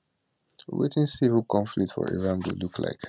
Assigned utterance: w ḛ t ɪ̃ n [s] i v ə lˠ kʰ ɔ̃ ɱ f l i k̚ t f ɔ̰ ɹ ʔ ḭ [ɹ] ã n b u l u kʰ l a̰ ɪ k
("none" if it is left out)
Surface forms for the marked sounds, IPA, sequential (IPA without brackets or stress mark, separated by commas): s, ɹ